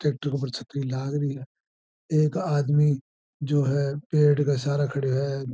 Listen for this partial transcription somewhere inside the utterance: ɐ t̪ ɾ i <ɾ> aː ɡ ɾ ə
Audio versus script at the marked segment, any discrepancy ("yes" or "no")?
yes